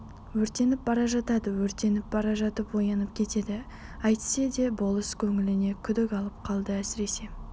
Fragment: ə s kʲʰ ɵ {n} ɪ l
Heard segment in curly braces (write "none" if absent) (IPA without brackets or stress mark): ŋ